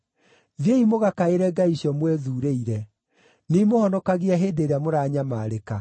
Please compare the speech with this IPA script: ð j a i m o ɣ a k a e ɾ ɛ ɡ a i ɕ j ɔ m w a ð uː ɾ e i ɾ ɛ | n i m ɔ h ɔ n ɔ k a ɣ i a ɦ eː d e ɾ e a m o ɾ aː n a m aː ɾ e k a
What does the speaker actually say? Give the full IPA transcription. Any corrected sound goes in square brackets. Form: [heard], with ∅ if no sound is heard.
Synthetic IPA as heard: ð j [e] i m o ɣ a k a e ɾ ɛ ɡ a i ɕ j ɔ m w [ɛ] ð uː ɾ e i ɾ ɛ | n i m [o] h ɔ n ɔ k a ɣ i a ɦ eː d e ɾ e a m o ɾ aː [ɲ] a m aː ɾ e k a